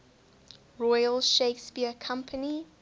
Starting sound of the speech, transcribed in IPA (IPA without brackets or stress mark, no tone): ɹ